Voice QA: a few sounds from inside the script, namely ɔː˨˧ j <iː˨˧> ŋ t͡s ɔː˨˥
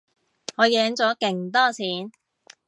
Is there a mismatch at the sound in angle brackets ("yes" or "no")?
yes